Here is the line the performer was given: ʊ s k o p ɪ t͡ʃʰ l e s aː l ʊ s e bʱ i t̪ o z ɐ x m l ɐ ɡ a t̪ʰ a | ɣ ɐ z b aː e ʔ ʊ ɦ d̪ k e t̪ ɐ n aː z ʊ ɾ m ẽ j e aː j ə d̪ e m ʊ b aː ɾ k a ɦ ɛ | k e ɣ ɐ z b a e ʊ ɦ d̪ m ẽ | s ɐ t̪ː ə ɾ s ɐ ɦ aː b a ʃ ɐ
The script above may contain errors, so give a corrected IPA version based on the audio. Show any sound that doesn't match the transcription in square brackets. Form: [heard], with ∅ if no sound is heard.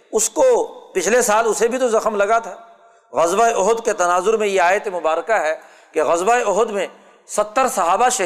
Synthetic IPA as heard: ʊ s k o p ɪ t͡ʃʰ l e s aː l ʊ s e bʱ i t̪ o z ɐ x m l ɐ ɡ a t̪ʰ a | ɣ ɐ z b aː e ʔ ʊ ɦ d̪ k e t̪ ɐ n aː z ʊ ɾ m ẽ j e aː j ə [t̪] e m ʊ b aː ɾ k a ɦ ɛ | k e ɣ ɐ z b a e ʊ ɦ d̪ m ẽ | s ɐ t̪ː ə ɾ s ɐ ɦ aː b a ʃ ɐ